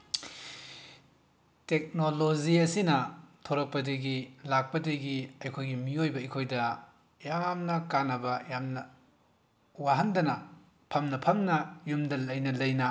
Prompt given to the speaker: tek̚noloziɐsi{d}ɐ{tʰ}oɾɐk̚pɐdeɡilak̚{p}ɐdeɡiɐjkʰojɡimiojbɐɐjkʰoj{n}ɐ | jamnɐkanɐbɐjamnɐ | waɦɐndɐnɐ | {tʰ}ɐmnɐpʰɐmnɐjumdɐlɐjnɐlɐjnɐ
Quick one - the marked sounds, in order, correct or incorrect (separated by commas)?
incorrect, correct, correct, incorrect, incorrect